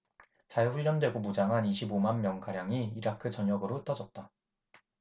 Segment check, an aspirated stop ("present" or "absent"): present